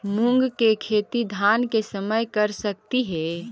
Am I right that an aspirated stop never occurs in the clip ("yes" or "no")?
no